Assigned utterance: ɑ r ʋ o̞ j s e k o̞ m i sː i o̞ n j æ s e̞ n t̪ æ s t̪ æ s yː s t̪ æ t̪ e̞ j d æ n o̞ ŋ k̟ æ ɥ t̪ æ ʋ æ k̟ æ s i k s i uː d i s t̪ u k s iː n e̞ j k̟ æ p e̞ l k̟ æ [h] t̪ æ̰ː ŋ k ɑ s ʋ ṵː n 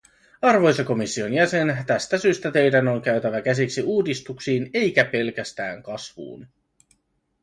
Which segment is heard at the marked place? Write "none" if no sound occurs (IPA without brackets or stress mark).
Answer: s